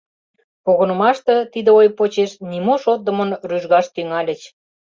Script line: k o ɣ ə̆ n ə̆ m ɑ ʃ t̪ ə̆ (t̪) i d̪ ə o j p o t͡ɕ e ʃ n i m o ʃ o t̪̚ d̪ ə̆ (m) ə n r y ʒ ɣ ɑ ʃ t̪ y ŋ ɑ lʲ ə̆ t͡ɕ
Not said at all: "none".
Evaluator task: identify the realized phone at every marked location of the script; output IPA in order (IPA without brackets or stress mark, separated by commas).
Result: t̪, m